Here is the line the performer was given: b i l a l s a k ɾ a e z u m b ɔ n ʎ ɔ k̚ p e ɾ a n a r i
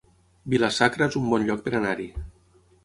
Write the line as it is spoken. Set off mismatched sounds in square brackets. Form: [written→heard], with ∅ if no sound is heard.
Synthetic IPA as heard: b i l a [l→∅] s a k ɾ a e z u m b ɔ n ʎ ɔ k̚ p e ɾ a n a [r→ɾ] i